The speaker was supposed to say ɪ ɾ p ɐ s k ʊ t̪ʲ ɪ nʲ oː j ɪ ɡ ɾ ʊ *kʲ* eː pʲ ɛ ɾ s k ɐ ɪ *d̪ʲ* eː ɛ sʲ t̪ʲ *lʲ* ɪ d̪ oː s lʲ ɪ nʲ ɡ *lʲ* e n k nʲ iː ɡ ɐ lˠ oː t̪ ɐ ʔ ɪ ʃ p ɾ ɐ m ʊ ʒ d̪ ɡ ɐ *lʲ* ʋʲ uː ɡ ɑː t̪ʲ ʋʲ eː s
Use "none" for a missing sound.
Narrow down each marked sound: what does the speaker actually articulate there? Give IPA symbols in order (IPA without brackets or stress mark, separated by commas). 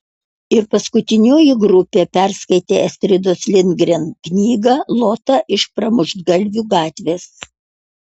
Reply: pʲ, t̪ʲ, ɾʲ, ɾʲ, lʲ